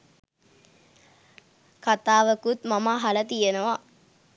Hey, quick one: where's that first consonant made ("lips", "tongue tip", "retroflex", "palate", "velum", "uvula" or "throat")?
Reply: velum